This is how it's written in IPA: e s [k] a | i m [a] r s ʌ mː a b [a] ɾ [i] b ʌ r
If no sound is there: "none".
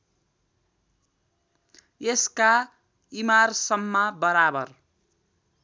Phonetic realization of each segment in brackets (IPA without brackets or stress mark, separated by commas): k, a, ʌ, a